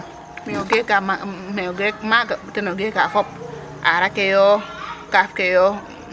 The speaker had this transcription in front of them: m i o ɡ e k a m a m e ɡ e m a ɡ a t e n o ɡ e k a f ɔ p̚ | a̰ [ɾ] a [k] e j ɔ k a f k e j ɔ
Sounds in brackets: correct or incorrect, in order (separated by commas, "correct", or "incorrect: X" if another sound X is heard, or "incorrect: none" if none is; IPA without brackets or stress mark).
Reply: correct, correct